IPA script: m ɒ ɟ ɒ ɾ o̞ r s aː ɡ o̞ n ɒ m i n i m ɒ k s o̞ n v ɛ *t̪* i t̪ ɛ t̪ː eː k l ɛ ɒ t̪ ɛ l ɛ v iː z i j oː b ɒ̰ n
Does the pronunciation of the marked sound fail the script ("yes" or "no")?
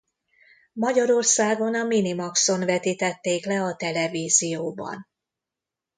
no